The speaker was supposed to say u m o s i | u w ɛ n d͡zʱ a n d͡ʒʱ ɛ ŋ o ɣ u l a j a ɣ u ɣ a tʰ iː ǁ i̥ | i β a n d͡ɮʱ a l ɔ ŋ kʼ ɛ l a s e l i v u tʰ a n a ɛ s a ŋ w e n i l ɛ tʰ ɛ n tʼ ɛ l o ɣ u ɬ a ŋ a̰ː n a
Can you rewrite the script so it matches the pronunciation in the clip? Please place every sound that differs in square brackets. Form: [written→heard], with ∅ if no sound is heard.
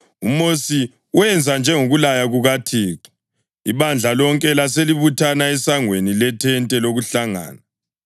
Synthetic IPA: u m o s i | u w ɛ n d͡zʱ a n d͡ʒʱ ɛ ŋ o ɣ u l a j a ɣ u ɣ a tʰ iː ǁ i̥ | i β a n d͡ɮʱ a l ɔ ŋ kʼ ɛ l a s e l i [v→β] u tʰ a n a ɛ s a ŋ w e n i l ɛ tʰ ɛ n tʼ ɛ l o ɣ u ɬ a ŋ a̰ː n a